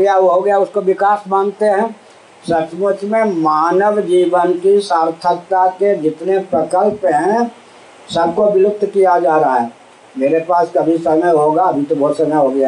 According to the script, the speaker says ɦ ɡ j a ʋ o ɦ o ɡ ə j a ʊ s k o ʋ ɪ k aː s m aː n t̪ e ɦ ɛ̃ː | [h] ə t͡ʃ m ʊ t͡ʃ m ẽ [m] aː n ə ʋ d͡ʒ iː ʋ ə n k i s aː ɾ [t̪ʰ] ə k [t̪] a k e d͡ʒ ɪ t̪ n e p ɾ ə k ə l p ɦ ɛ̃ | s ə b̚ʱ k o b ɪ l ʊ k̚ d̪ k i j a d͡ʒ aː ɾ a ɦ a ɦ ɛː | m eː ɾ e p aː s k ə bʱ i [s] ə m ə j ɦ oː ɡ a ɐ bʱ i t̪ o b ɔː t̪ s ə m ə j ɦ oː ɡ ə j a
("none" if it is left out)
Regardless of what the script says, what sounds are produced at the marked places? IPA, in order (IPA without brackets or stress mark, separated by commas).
s, m, t̪ʰ, t̪, s